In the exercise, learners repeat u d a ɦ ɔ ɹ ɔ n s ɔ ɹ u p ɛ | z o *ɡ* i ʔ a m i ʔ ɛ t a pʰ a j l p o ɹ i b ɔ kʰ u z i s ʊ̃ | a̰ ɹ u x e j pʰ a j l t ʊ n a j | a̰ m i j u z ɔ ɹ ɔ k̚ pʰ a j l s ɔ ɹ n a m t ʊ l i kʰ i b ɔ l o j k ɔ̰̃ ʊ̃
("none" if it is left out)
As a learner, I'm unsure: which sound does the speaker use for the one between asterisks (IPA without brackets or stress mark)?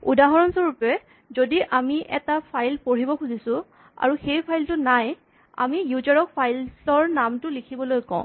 d